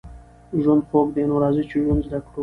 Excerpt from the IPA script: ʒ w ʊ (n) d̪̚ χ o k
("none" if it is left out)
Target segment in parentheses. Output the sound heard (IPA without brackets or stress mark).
n